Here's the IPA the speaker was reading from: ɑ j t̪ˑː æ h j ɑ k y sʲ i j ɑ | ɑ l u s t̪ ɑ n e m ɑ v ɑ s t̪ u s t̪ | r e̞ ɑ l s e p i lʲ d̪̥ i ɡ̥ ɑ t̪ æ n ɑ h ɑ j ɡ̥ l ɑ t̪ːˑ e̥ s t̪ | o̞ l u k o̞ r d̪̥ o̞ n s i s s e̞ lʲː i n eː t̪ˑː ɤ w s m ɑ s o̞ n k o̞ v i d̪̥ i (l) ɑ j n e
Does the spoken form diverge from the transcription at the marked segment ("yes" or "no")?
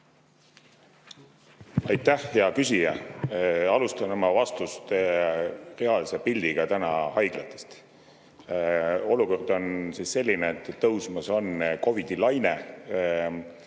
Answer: no